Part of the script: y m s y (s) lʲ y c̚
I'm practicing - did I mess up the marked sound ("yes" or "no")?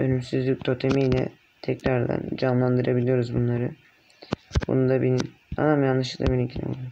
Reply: yes